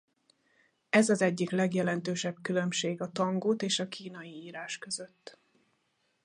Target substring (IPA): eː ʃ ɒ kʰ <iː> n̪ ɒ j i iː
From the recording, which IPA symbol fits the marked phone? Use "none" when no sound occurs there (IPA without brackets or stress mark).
iː